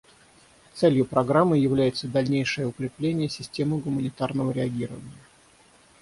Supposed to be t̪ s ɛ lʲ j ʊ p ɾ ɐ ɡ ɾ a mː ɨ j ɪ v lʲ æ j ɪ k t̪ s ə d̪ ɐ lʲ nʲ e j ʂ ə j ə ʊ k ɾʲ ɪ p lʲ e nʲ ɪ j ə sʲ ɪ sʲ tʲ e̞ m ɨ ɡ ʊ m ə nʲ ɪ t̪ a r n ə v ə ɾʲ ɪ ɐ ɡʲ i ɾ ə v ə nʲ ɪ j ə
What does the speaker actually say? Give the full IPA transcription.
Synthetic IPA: t̪ s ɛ lʲ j ʊ p ɾ ɐ ɡ ɾ a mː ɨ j ɪ v lʲ æ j ɪ t̪ s ə d̪ ɐ lʲ nʲ e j ʂ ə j ə ʊ k ɾʲ ɪ p lʲ e nʲ ɪ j ə sʲ ɪ sʲ tʲ e̞ m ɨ ɡ ʊ m ə nʲ ɪ t̪ a r n ə v ə ɾʲ ɪ ɐ ɡʲ i ɾ ə v ə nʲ ɪ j ə

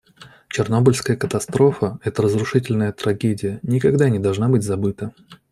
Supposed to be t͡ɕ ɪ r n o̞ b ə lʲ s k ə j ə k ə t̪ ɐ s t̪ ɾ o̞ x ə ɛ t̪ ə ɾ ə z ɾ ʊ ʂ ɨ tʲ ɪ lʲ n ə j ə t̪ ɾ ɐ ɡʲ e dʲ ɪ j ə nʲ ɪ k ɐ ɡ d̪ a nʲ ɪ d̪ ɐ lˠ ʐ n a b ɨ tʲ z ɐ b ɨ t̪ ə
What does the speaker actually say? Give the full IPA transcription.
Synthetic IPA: t͡ɕ ɪ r n o̞ b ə lʲ s k ə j ə k ə t̪ ɐ s t̪ ɾ o̞ f ə ɛ t̪ ə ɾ ə z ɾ ʊ ʂ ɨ tʲ ɪ lʲ n ə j ə t̪ ɾ ɐ ɡʲ e dʲ ɪ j ə nʲ ɪ k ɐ ɡ d̪ a nʲ ɪ d̪ ɐ lˠ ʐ n a b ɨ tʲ z ɐ b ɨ t̪ ə

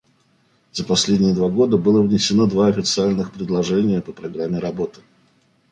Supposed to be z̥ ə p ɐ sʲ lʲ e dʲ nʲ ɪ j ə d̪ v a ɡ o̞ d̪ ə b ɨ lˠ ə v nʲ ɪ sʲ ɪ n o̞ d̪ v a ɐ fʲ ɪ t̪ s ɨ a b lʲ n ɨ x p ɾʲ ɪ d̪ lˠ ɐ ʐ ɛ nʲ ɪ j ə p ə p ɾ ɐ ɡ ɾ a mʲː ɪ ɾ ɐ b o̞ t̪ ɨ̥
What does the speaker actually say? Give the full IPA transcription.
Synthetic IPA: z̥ ə p ɐ sʲ lʲ e dʲ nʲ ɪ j ə d̪ v a ɡ o̞ d̪ ə b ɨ lˠ ə v nʲ ɪ sʲ ɪ n o̞ d̪ v a ɐ fʲ ɪ t̪ s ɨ a lʲ n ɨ x p ɾʲ ɪ d̪ lˠ ɐ ʐ ɛ nʲ ɪ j ə p ə p ɾ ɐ ɡ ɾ a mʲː ɪ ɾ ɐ b o̞ t̪ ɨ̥

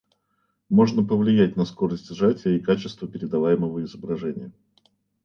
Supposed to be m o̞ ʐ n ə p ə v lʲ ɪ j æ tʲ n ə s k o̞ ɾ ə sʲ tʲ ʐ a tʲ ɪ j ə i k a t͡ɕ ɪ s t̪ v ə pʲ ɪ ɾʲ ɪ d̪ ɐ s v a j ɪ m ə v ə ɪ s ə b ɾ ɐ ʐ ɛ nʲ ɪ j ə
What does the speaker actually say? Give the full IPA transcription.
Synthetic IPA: m o̞ ʐ n ə p ə v lʲ ɪ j æ tʲ n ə s k o̞ ɾ ə sʲ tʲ ʐ a tʲ ɪ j ə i k a t͡ɕ ɪ s t̪ v ə pʲ ɪ ɾʲ ɪ d̪ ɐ v a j ɪ m ə v ə ɪ z ə b ɾ ɐ ʐ ɛ nʲ ɪ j ə

